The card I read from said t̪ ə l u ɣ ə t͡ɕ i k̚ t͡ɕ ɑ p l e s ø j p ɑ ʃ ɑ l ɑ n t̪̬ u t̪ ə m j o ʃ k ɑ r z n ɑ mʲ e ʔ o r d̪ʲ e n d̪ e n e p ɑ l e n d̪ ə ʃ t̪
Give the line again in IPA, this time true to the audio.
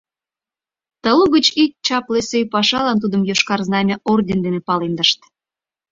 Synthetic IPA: t̪ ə l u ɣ ə t͡ɕ i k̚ t͡ɕ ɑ p l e s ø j p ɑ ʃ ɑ l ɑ n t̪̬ u d̪ ə m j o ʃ k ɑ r z n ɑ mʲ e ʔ o r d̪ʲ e n d̪ e n e p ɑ l e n d̪ ə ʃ t̪